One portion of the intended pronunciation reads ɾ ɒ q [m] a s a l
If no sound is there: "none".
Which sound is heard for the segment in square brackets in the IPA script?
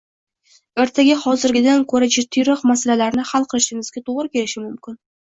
m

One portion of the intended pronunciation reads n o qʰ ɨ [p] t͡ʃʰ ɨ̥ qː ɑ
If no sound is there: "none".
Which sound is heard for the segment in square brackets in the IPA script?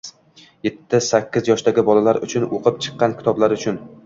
p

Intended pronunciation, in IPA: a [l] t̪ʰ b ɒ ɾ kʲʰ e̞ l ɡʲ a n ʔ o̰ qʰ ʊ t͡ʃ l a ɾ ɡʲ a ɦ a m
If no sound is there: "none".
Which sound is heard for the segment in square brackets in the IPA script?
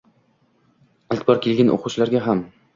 l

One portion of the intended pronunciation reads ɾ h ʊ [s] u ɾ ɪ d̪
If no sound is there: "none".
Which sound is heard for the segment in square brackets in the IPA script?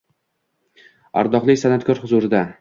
z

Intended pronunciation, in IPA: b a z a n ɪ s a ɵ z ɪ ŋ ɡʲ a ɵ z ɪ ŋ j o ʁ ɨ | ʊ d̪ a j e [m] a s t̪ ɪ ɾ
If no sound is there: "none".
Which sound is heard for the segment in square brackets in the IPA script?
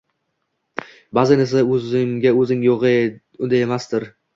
m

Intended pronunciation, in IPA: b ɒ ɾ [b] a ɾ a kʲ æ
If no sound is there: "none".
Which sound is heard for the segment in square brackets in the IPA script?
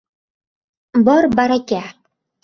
b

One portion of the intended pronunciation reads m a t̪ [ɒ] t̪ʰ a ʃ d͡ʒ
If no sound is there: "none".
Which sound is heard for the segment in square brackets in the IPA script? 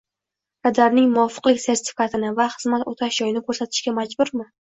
o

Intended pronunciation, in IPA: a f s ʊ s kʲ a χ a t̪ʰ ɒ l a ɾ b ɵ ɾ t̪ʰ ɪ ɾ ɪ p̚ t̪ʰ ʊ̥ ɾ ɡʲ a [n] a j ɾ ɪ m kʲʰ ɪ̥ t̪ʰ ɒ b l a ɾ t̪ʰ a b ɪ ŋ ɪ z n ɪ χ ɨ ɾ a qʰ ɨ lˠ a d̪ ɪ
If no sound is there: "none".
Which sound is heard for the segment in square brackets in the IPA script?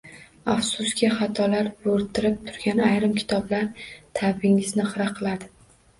n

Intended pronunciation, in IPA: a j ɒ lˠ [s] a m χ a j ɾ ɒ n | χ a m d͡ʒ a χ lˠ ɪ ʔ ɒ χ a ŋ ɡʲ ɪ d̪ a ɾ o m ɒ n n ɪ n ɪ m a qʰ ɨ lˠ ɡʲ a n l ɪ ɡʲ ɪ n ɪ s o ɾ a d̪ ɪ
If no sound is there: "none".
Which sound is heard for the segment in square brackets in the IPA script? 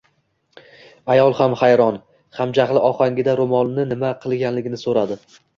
h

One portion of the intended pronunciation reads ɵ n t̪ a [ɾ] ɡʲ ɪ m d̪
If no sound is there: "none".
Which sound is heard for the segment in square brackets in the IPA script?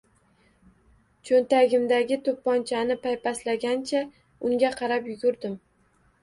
none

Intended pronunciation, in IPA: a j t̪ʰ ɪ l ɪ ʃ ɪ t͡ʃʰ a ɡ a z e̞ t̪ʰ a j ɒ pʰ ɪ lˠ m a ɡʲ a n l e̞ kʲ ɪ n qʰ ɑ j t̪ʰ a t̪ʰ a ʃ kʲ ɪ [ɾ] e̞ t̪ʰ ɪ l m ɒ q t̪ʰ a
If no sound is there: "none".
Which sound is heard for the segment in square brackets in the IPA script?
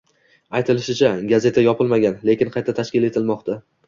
l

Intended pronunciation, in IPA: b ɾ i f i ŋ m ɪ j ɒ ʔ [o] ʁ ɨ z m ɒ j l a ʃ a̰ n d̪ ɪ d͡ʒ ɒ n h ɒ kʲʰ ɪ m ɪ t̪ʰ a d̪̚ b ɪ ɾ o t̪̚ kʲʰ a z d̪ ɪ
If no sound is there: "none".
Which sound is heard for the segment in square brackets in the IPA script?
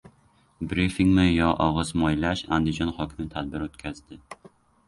ɒ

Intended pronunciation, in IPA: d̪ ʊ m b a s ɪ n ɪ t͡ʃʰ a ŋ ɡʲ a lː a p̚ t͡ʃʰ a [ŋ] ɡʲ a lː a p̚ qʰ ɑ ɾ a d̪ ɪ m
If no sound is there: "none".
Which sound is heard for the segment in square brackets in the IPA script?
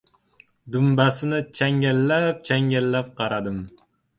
ŋ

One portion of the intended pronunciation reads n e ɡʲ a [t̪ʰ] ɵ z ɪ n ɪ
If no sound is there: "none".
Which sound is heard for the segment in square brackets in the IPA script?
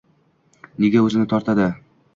none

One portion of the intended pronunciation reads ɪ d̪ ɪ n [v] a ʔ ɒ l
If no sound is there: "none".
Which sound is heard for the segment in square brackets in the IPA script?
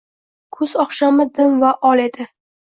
v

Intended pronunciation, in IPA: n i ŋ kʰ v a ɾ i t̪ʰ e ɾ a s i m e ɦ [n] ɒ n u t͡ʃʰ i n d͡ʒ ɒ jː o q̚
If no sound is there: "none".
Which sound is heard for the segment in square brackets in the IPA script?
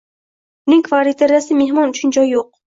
m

